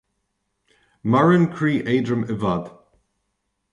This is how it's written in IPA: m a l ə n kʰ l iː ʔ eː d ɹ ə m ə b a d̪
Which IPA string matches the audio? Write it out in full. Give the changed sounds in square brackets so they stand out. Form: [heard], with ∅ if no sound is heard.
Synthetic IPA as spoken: m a [ɹ] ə n kʰ [ɹ] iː ʔ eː d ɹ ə m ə [v] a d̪